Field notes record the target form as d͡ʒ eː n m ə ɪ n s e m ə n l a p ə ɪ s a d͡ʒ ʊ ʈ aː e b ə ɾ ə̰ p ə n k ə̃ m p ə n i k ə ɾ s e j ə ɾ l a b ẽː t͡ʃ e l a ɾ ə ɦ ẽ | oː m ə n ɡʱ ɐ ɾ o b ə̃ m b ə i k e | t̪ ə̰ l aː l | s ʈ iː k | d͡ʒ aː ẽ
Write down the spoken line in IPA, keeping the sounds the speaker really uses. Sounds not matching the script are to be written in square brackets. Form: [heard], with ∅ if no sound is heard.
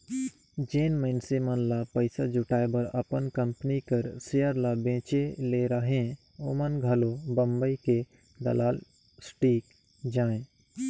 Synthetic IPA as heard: d͡ʒ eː n m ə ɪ n s e m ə n l a p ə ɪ s a d͡ʒ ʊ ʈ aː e b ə ɾ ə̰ p ə n k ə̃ m p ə n i k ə ɾ s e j ə ɾ l a b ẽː t͡ʃ e l [e] ɾ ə ɦ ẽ | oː m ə n ɡʱ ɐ [l] o b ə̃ m b ə i k e | [d̪] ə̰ l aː l | s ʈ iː k | d͡ʒ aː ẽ